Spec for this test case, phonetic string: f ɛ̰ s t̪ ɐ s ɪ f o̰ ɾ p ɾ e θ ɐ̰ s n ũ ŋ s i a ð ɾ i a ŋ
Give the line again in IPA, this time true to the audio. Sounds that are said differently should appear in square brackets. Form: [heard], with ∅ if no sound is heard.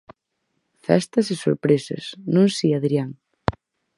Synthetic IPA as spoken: f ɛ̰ s t̪ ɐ s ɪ [s] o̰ ɾ p ɾ e [s] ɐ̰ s n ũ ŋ s i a ð ɾ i a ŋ